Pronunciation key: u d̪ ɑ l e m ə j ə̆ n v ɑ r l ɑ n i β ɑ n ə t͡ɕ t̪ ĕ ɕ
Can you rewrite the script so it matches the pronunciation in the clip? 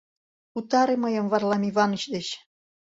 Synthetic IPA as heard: u t̪ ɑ ɾ e m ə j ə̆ m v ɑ r l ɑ m i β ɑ n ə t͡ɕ d̪ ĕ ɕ